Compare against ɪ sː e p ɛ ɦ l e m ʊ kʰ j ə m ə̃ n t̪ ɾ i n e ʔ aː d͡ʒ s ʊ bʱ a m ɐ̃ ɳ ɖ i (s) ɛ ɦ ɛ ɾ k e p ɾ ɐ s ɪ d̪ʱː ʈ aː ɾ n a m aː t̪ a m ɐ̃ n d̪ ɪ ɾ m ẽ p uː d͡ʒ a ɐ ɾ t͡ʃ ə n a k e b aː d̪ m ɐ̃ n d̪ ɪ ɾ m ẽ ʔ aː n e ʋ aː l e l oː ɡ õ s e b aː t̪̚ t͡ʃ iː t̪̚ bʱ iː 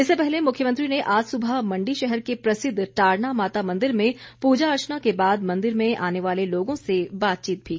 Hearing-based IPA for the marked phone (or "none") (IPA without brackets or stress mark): ʃ